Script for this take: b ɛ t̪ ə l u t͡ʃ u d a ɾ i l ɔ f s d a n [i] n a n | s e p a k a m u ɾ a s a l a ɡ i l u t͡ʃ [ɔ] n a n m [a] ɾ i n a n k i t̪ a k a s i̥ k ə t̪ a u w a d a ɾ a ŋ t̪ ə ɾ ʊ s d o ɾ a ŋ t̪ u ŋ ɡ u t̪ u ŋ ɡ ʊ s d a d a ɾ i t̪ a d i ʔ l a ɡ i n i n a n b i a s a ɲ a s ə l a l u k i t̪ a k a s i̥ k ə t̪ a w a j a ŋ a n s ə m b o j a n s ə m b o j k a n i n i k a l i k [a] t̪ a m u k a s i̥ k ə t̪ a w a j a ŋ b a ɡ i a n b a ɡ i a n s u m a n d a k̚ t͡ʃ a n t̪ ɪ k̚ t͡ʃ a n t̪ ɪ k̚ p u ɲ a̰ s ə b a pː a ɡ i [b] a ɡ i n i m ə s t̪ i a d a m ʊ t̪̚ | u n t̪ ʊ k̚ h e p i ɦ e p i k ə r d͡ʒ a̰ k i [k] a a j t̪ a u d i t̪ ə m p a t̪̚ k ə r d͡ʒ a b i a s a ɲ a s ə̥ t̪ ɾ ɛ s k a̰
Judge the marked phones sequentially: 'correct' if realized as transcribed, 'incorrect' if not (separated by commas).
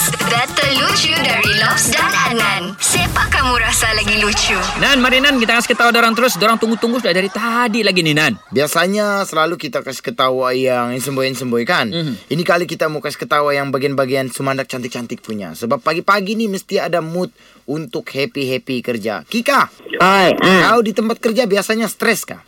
incorrect, incorrect, correct, incorrect, incorrect, correct